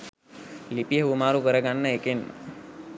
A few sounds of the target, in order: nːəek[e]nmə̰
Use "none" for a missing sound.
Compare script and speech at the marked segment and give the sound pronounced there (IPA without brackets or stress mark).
e